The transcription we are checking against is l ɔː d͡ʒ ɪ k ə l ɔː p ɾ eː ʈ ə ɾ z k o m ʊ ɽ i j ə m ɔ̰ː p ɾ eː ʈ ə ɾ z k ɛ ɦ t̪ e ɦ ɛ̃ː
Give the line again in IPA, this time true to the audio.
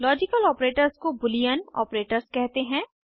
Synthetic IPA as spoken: l ɔː d͡ʒ ɪ k ə l ɔː p ɾ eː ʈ ə ɾ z k o b ʊ l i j ə n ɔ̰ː p ɾ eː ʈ ə ɾ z k ɛ ɦ t̪ e ɦ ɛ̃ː

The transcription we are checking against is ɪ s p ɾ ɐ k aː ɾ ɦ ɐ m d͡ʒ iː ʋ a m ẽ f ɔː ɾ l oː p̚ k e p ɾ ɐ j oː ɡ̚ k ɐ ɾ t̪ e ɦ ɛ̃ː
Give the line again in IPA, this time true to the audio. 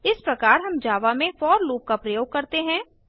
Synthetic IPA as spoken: ɪ s p ɾ ɐ k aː ɾ ɦ ɐ m d͡ʒ aː ʋ a m ẽ f ɔː ɾ l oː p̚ k a p ɾ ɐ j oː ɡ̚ k ɐ ɾ t̪ e ɦ ɛ̃ː

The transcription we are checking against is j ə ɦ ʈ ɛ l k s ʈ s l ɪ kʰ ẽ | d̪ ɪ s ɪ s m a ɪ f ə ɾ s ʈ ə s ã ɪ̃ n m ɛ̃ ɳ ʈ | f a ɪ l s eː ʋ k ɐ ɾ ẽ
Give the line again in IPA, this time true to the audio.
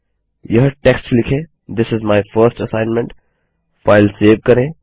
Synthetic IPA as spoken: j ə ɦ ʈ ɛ k s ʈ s l ɪ kʰ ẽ | d̪ ɪ s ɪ z m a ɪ f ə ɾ s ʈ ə s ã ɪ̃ n m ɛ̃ ɳ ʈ | f a ɪ l s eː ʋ k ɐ ɾ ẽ

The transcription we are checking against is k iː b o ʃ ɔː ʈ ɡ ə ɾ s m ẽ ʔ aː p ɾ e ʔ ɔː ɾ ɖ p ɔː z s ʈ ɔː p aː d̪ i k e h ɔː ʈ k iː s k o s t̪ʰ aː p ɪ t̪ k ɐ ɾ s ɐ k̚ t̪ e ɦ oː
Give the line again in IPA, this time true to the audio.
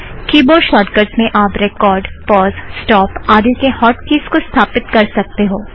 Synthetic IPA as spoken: k iː b o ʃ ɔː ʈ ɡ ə ɾ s m ẽ ʔ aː p ɾ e k ɔː ɾ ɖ p ɔː z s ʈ ɔː p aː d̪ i k e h ɔː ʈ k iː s k o s t̪ʰ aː p ɪ t̪ k ɐ ɾ s ɐ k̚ t̪ e ɦ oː

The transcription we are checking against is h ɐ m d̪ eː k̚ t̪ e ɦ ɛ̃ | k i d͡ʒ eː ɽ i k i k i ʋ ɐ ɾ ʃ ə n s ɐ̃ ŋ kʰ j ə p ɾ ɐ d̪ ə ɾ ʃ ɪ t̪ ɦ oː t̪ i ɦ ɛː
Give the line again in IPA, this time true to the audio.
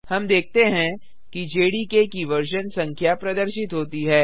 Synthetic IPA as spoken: h ɐ m d̪ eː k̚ t̪ e ɦ ɛ̃ | k i d͡ʒ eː ɽ i k e k i ʋ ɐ ɾ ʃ ə n s ɐ̃ ŋ kʰ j a p ɾ ɐ d̪ ə ɾ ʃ ɪ t̪ ɦ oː t̪ i ɦ ɛː

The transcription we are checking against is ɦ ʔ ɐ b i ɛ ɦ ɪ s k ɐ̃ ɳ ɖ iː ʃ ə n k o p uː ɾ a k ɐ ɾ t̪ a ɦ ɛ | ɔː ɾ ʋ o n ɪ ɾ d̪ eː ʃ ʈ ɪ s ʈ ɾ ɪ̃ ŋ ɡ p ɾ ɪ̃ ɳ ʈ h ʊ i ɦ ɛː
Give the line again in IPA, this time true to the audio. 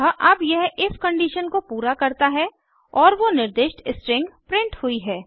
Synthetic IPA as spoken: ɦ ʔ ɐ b j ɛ ɦ ɪ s k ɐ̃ ɳ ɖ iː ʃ ə n k o p uː ɾ a k ɐ ɾ t̪ a ɦ ɛ | ɔː ɾ ʋ o n ɪ ɾ d̪ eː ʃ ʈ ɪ s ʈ ɾ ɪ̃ ŋ ɡ p ɾ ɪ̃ ɳ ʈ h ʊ i ɦ ɛː

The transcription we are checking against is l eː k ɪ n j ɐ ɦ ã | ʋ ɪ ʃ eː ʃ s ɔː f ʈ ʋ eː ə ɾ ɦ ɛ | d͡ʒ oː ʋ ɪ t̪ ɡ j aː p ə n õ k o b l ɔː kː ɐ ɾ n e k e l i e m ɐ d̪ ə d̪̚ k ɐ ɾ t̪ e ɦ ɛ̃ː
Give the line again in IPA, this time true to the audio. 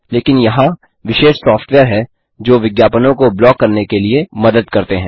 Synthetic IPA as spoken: l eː k ɪ n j ɐ ɦ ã | ʋ ɪ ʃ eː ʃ s ɔː f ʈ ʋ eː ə ɾ ɦ ɛ | d͡ʒ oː ʋ ɪ ɡ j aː p ə n õ k o b l ɔː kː ɐ ɾ n e k e l i e m ɐ d̪ ə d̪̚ k ɐ ɾ t̪ e ɦ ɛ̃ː

